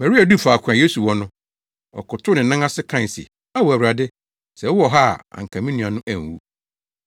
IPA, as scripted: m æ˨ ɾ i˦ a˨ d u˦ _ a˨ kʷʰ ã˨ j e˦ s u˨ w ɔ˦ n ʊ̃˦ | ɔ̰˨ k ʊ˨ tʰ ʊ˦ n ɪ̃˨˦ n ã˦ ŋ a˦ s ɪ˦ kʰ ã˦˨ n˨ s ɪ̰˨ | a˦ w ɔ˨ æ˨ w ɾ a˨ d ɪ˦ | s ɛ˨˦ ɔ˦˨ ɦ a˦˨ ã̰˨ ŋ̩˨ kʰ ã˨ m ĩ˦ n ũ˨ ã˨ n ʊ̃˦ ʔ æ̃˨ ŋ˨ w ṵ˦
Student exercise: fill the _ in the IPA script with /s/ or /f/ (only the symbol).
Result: f